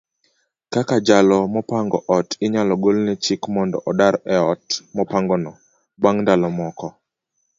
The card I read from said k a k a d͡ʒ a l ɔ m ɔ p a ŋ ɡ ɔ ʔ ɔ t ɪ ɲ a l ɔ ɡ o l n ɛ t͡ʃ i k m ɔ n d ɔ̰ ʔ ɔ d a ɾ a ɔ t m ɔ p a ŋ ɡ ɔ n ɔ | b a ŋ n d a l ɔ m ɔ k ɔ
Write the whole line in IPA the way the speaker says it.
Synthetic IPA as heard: k a k a d͡ʒ a l ɔ m ɔ p a ŋ ɡ ɔ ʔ ɔ t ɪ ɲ a l ɔ ɡ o l n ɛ t͡ʃ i k m ɔ n d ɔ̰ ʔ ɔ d a ɾ ɛ ɔ t m ɔ p a ŋ ɡ ɔ n ɔ | b a ŋ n d a l ɔ m ɔ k ɔ